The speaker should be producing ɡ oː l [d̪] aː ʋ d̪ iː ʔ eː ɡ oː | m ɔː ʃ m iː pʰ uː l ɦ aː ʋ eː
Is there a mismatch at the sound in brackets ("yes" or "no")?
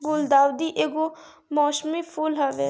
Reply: no